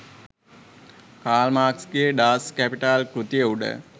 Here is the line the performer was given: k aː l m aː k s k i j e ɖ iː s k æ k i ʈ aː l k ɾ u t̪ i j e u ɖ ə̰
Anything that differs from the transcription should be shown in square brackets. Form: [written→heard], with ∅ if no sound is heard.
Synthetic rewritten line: k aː l m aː k s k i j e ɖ [iː→aː] s k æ [k→p] i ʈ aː l k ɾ u t̪ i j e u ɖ ə̰